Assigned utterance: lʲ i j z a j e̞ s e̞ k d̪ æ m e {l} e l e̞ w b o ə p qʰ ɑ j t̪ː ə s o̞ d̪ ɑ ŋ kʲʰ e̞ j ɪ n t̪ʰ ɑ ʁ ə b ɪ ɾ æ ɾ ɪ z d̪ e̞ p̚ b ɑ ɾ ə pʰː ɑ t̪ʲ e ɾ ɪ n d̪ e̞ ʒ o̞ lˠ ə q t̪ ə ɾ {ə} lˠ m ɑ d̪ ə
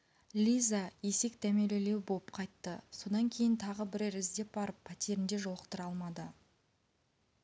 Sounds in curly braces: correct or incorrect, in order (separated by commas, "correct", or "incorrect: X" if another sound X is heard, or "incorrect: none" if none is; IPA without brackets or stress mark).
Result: correct, incorrect: ɑ